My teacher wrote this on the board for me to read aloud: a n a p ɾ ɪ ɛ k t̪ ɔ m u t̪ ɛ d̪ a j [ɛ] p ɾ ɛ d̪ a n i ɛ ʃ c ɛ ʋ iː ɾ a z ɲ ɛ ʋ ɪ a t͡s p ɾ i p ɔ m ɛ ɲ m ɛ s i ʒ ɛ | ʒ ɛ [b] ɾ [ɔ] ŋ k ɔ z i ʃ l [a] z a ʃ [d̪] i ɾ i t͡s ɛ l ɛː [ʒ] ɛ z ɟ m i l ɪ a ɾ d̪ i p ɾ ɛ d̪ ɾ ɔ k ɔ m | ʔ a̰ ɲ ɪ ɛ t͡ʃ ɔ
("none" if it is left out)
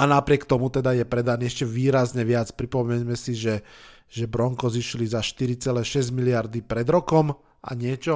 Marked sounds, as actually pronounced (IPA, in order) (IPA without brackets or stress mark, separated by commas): ɛ, b, ɔ, i, t̪, ʃ